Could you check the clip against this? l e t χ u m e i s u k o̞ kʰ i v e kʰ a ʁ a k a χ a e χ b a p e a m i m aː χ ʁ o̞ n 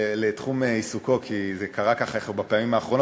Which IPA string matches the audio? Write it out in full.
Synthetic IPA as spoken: l e t χ u m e i s u k o̞ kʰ i z e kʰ a ʁ a k a χ a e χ b a p e a m i m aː χ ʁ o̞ n